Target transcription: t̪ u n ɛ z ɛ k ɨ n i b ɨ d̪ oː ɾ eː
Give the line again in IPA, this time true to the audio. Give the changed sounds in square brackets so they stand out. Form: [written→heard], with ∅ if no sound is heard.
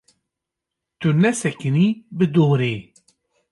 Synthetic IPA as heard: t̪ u n ɛ [z→s] ɛ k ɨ n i b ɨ d̪ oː ɾ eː